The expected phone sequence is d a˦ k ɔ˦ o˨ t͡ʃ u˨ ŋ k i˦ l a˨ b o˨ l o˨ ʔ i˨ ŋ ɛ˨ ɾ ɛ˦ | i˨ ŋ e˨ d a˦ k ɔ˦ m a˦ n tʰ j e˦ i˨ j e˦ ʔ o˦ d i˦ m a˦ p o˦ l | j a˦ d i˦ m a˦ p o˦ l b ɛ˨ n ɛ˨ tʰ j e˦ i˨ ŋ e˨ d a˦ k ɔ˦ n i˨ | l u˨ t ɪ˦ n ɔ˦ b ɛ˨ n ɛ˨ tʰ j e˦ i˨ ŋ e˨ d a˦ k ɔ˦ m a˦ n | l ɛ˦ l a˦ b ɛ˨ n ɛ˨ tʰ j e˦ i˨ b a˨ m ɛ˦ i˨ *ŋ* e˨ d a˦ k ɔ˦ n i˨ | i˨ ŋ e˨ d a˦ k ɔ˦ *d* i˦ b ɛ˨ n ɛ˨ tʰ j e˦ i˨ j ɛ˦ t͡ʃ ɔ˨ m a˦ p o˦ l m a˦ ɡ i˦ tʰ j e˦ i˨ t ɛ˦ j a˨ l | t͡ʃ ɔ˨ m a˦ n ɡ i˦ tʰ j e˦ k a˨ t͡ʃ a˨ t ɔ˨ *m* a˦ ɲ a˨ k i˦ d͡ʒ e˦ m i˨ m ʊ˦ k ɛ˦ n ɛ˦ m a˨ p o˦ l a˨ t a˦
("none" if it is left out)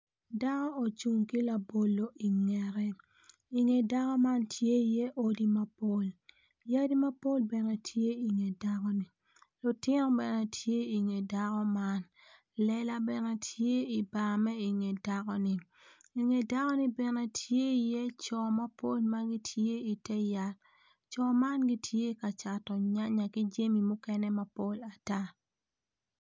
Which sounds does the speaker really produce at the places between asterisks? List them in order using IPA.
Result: ŋ, n, ɲ

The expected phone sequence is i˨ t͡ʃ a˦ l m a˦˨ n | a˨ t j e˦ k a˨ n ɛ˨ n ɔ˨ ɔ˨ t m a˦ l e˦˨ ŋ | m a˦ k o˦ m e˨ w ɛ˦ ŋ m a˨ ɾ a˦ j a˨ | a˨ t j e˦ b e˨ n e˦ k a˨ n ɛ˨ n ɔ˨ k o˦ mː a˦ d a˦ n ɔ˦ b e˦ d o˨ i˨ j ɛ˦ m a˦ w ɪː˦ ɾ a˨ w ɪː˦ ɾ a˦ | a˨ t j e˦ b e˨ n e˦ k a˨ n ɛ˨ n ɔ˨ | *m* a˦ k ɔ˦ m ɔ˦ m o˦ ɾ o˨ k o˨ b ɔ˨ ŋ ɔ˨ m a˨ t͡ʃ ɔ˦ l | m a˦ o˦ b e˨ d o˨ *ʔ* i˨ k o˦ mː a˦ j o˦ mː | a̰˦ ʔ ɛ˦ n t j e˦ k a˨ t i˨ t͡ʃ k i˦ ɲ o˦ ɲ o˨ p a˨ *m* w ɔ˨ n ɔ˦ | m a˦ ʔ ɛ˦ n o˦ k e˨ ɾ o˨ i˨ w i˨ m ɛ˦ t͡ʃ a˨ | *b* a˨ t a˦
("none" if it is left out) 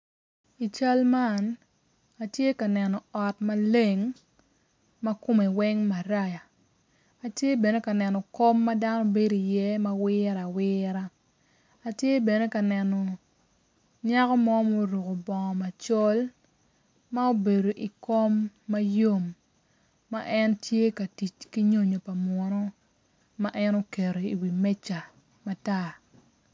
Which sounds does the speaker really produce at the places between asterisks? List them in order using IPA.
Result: ɲ, ʔ, m, m

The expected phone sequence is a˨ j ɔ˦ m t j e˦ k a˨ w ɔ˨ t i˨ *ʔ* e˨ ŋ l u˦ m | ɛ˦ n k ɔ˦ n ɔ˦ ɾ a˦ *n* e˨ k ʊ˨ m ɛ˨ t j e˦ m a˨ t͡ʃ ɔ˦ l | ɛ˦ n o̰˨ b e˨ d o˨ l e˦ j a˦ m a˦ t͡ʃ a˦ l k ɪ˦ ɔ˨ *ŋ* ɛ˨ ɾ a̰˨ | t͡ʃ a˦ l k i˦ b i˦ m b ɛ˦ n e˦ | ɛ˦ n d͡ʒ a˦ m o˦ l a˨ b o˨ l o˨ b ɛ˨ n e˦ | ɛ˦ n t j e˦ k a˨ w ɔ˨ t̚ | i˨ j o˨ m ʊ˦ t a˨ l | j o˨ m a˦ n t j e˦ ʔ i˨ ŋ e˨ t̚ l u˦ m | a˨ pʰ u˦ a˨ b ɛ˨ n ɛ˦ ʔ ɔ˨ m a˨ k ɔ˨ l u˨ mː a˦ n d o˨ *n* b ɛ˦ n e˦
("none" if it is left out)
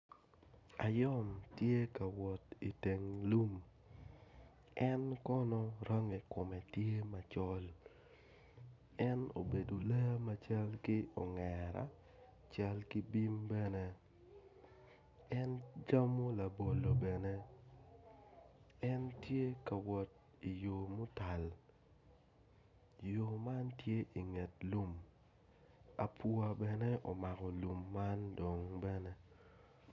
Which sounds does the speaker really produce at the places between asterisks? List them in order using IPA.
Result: t, ŋ, ŋ, ŋ

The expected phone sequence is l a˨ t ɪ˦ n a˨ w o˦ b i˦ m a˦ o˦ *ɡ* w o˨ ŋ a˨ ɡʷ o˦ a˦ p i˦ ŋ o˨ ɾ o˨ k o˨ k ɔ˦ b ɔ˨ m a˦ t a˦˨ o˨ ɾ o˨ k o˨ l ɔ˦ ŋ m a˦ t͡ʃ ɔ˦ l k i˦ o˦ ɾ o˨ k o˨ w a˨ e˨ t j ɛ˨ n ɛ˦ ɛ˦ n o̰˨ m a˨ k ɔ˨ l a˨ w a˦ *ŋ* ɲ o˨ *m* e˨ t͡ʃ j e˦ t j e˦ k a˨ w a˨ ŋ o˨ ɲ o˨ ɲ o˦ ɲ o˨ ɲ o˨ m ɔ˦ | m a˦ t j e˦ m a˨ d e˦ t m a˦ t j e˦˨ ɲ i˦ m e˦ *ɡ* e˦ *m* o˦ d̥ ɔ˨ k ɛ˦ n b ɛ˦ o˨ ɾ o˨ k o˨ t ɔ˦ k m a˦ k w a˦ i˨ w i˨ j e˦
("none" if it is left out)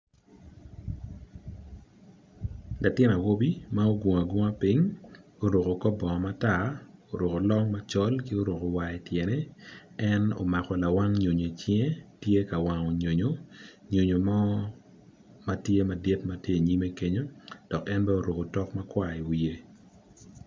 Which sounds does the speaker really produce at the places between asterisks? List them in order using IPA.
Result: ɡ, ŋ, ɲ, k, ɲ

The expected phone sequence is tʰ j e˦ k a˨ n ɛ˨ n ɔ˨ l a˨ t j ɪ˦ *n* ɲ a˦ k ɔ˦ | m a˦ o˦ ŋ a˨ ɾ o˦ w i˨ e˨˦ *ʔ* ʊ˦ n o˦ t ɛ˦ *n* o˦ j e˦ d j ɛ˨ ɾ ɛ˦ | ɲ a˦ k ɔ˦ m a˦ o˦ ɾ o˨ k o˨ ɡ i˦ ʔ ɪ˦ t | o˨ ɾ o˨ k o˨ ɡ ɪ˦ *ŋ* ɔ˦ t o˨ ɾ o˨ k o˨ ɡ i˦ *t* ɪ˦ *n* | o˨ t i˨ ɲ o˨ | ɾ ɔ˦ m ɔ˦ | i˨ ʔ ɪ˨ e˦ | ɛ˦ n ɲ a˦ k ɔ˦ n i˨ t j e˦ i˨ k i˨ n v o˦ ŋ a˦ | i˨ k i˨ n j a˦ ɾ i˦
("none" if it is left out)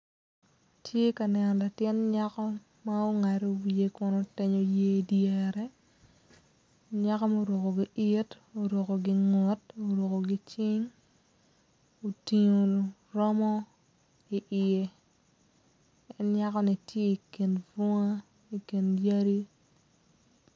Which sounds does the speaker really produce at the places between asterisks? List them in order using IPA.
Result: n, k, ɲ, ŋ, t͡ʃ, ŋ

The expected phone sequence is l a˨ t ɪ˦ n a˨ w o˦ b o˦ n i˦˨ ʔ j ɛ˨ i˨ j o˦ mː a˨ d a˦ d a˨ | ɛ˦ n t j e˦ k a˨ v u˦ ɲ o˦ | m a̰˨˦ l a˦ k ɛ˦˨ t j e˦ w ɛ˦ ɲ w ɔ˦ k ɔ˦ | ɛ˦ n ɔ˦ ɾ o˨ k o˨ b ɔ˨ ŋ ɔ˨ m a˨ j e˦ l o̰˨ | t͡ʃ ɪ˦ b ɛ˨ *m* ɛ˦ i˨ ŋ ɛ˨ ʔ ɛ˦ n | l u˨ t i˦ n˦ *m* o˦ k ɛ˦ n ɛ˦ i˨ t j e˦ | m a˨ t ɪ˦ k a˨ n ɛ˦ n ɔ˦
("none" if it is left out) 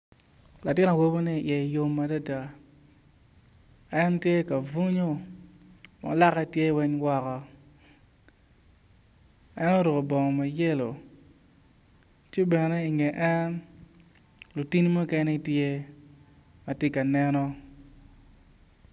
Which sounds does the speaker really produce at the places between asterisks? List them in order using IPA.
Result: n, m

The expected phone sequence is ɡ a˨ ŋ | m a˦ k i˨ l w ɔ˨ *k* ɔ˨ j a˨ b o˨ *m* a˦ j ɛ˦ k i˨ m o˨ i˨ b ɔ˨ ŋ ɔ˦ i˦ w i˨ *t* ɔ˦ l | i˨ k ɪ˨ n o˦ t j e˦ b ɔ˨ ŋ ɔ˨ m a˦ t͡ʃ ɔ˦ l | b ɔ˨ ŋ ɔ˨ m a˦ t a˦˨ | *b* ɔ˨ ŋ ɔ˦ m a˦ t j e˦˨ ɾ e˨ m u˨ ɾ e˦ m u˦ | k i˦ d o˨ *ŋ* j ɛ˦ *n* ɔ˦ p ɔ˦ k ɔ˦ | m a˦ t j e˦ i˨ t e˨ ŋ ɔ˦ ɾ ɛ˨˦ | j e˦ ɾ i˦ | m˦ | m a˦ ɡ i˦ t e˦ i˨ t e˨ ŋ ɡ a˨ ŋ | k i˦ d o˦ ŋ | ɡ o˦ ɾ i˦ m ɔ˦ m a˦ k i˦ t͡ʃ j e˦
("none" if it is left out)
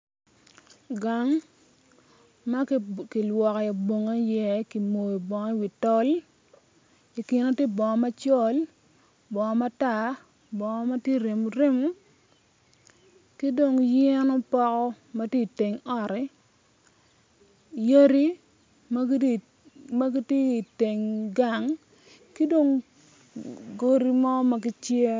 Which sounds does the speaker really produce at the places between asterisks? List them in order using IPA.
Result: k, ŋ, t, b, ŋ, n

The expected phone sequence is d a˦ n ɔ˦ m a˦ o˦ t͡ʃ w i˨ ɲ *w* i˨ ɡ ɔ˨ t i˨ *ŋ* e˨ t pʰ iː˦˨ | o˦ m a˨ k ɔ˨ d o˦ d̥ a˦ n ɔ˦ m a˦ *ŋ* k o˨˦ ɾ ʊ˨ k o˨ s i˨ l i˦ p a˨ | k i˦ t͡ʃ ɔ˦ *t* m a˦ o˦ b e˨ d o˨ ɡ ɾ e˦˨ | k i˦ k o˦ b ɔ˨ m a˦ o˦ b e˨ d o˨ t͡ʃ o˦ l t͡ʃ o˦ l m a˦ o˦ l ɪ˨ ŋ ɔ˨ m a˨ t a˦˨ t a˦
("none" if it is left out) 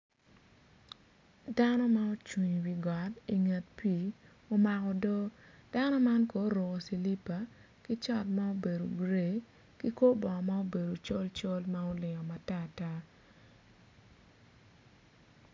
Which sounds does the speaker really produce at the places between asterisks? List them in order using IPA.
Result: w, ŋ, n, t

